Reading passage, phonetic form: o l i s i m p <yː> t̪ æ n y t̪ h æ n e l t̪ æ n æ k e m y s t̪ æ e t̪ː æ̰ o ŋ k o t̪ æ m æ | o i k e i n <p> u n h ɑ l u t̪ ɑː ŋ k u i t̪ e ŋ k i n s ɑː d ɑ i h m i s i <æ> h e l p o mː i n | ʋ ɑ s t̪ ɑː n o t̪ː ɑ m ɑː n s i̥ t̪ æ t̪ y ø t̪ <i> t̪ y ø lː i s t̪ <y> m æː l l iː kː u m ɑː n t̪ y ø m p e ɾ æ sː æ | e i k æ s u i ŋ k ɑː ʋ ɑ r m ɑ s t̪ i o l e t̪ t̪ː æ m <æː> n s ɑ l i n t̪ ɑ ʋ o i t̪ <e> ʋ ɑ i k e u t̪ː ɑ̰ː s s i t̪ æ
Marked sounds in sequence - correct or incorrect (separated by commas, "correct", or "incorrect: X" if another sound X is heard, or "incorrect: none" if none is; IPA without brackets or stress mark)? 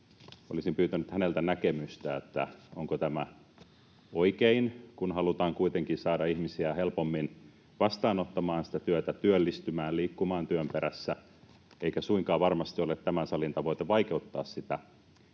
correct, incorrect: k, correct, incorrect: æ, correct, incorrect: æ, correct